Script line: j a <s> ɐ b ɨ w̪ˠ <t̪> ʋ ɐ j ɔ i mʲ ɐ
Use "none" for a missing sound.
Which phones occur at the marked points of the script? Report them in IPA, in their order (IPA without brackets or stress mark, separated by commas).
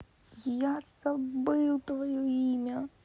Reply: s, t̪